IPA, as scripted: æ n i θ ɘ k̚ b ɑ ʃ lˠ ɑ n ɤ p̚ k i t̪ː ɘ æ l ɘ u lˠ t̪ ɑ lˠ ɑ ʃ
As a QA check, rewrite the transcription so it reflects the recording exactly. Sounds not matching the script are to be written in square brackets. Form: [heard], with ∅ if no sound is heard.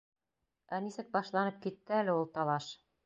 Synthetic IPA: æ n i [s] ɘ k̚ b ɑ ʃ lˠ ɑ n ɤ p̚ k i t̪ː ɘ æ l ɘ u lˠ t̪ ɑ lˠ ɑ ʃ